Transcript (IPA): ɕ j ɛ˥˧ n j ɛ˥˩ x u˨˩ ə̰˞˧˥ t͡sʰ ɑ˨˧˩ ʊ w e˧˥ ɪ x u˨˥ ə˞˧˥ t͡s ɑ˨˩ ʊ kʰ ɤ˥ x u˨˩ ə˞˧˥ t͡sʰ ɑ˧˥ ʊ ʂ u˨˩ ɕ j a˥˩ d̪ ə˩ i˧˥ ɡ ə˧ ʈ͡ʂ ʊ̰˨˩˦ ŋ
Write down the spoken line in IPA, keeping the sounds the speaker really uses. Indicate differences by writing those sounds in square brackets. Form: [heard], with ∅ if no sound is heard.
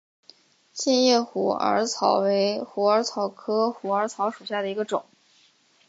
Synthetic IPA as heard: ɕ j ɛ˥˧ n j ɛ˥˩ x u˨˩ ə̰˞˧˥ t͡sʰ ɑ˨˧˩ ʊ w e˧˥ ɪ x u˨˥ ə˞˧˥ [t͡sʰ] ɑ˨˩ ʊ kʰ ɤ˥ x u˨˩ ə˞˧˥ t͡sʰ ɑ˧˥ ʊ ʂ u˨˩ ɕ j a˥˩ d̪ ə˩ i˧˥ ɡ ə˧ ʈ͡ʂ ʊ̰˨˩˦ ŋ